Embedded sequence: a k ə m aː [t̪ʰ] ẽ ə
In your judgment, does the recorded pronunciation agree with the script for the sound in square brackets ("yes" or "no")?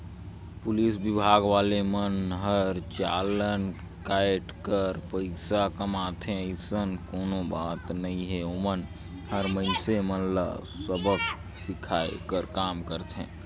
yes